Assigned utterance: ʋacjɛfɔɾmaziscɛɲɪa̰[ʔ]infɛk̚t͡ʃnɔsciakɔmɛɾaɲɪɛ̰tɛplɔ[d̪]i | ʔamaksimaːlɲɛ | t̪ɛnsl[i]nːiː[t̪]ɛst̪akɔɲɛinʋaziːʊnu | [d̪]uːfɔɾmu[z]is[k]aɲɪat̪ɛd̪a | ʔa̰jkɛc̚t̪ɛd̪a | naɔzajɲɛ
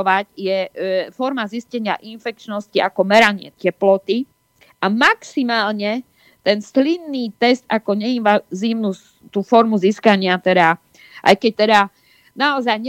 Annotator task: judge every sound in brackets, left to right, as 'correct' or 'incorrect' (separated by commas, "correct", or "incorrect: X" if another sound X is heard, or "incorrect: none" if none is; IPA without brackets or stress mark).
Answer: correct, incorrect: t̪, correct, correct, incorrect: t̪, correct, correct